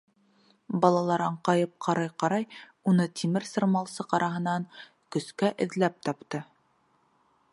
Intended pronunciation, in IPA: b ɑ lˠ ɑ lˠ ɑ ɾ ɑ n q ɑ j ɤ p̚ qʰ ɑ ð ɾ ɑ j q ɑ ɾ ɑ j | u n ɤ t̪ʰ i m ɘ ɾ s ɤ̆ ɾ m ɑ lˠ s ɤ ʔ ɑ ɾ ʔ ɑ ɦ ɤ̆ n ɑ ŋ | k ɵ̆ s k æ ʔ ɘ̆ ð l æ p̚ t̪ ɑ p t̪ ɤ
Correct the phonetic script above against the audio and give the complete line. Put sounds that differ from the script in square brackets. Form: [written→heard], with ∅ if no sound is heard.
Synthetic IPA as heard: b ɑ lˠ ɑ lˠ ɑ ɾ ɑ [n→ɴ] q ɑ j ɤ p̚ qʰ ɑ [ð→∅] ɾ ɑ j q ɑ ɾ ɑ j | u n ɤ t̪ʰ i m ɘ ɾ s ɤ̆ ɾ m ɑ lˠ s ɤ [ʔ→q] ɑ ɾ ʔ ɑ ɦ ɤ̆ n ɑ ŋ | k ɵ̆ s k æ ʔ ɘ̆ ð l æ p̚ t̪ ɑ p t̪ ɤ